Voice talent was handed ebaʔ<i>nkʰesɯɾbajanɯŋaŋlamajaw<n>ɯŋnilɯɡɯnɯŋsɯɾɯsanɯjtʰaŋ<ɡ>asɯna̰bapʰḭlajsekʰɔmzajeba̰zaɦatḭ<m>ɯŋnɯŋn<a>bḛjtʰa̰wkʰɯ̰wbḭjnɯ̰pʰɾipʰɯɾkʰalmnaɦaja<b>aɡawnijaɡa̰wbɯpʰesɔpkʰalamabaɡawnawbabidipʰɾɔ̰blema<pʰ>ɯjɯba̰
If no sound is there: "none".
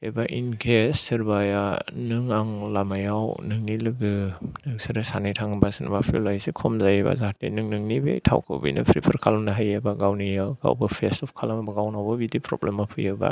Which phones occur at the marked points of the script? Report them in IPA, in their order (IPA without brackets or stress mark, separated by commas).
i, n, b, n, i, b, pʰ